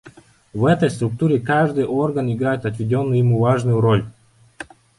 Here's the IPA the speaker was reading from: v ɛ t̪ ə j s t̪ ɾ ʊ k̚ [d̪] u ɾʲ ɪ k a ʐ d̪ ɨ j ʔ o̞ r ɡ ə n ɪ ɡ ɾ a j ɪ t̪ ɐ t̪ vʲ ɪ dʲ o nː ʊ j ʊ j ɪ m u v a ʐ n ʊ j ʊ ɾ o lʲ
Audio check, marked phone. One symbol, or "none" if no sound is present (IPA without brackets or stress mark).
t̪